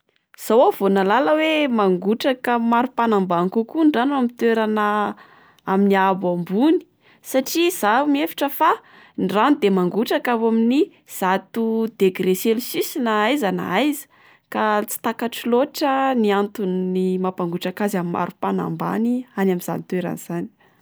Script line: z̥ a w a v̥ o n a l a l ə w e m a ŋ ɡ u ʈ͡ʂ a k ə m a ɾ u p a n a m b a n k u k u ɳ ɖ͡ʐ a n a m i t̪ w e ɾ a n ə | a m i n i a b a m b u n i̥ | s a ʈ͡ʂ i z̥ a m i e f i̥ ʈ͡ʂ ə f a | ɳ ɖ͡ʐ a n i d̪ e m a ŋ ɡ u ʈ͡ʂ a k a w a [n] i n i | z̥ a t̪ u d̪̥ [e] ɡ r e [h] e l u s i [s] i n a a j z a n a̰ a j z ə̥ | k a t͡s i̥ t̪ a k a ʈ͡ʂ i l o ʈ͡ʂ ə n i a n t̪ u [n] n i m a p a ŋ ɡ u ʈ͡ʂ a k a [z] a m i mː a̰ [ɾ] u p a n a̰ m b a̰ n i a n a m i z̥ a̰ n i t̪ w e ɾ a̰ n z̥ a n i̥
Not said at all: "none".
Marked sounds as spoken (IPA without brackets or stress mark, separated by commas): m, e, s, s, n, z, ɾ